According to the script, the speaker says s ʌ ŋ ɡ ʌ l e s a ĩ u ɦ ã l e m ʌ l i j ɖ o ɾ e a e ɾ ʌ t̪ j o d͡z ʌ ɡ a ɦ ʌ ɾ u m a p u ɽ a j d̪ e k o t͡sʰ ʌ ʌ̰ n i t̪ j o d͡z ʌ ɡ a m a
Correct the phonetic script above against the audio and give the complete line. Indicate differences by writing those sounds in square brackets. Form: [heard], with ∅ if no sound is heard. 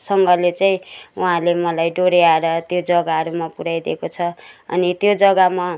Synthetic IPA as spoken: s ʌ ŋ ɡ ʌ l e [t͡s] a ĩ u ɦ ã l e m ʌ l [a] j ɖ o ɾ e a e ɾ ʌ t̪ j o d͡z ʌ ɡ a ɦ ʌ ɾ u m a p u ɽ a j d̪ e k o t͡sʰ ʌ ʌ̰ n i t̪ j o d͡z ʌ ɡ a m a